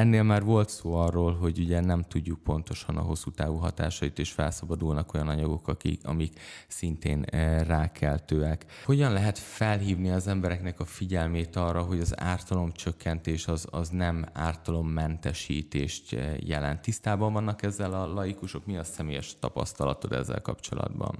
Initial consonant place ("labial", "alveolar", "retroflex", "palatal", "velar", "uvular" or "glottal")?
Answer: alveolar